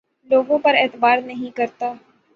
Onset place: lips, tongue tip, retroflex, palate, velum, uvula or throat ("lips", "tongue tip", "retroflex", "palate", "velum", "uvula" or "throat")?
tongue tip